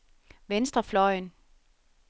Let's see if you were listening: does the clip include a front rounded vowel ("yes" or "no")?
no